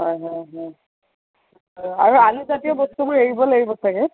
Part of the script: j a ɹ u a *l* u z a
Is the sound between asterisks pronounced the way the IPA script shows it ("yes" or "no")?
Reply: yes